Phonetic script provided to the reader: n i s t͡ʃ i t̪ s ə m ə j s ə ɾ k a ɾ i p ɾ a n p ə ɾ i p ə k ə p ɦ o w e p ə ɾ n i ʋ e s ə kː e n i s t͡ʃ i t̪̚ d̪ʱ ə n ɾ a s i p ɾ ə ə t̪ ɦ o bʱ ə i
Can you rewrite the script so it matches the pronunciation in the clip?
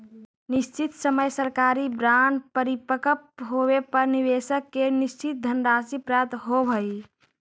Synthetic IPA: n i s t͡ʃ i t̪ s ə m ə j s ə ɾ k a ɾ i b ɾ a n p ə ɾ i p ə k ə p ɦ o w e p ə ɾ n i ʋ e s ə kː e n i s t͡ʃ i t̪̚ d̪ʱ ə n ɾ a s i p ɾ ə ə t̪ ɦ o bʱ ə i

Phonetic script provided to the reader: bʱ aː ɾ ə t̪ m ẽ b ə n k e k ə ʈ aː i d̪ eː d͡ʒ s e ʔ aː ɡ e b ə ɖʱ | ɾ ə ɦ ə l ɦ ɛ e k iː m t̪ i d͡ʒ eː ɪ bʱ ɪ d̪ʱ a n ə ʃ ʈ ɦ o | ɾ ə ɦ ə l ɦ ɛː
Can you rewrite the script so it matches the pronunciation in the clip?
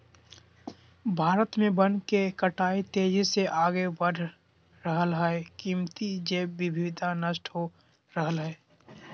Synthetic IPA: bʱ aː ɾ ə t̪ m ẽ b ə n k e k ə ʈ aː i t̪ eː d͡ʒ s e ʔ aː ɡ e b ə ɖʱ | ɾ ə ɦ ə l ɦ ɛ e k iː m t̪ i d͡ʒ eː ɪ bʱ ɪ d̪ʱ a n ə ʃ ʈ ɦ o | ɾ ə ɦ ə l ɦ ɛː

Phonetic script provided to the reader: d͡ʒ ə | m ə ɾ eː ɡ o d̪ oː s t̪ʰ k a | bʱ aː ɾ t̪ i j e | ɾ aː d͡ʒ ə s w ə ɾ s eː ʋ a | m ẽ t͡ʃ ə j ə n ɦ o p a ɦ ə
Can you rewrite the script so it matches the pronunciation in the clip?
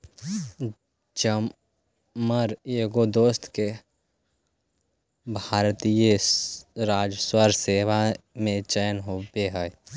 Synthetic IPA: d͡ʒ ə | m ə ɾ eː ɡ o d̪ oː s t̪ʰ k e | bʱ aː ɾ t̪ i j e | ɾ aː d͡ʒ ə s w ə ɾ s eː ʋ a | m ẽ t͡ʃ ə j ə n ɦ o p e ɦ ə

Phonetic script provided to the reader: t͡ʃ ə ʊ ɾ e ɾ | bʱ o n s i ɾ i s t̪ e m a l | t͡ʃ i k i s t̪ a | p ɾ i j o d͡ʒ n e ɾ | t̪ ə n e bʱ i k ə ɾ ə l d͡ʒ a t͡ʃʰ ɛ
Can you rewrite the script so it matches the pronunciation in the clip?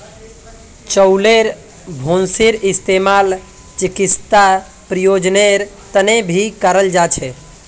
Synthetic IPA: t͡ʃ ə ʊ l e ɾ | bʱ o n s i ɾ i s t̪ e m a l | t͡ʃ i k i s t̪ a | p ɾ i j o d͡ʒ n e ɾ | t̪ ə n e bʱ i k ə ɾ ə l d͡ʒ a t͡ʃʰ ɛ

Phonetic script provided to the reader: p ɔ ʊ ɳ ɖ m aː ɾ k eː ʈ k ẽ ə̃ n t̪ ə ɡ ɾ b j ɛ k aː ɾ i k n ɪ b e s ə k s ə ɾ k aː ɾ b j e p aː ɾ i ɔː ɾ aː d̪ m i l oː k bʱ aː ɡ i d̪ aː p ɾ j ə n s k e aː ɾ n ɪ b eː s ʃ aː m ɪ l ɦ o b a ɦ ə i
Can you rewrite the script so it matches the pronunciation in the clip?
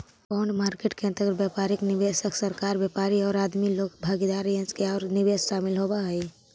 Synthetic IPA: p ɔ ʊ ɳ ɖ m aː ɾ k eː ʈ k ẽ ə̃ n t̪ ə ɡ ɾ b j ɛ p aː ɾ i k n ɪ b e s ə k s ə ɾ k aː ɾ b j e p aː ɾ i ɔː ɾ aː d̪ m i l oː k bʱ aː ɡ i d̪ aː ɾ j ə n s k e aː ɾ n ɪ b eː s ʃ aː m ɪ l ɦ o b a ɦ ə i

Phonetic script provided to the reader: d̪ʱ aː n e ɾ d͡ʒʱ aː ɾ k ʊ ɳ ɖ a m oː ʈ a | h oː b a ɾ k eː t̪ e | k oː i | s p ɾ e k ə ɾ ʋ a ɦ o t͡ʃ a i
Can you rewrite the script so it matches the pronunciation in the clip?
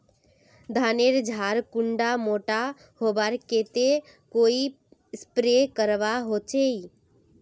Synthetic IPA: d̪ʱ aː n e ɾ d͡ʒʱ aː ɾ k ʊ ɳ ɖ a m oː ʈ a | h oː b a ɾ k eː t̪ e | k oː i | s p ɾ e k ə ɾ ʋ a ɦ o t͡ʃ e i

